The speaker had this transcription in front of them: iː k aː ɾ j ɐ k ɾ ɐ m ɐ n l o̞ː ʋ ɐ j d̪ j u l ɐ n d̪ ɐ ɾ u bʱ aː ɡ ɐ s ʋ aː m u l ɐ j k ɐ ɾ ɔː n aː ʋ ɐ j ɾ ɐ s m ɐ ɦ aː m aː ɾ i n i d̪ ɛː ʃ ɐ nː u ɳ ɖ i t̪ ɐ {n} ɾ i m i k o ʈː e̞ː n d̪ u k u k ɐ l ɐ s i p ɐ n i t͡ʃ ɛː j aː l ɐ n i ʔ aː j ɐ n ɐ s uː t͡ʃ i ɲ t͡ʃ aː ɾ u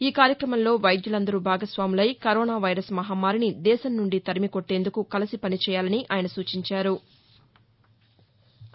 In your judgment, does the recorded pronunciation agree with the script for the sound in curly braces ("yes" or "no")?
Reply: no